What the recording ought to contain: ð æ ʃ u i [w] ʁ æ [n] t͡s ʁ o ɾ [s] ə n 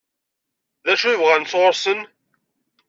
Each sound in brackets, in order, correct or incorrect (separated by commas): incorrect, correct, correct